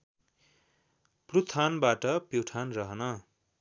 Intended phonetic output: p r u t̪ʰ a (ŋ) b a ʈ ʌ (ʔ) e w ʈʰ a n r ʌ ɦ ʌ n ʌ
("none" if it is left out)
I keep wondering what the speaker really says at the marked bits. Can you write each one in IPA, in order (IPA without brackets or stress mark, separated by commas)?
n, p